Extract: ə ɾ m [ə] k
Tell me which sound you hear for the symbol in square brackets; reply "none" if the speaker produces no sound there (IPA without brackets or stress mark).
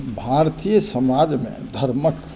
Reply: ə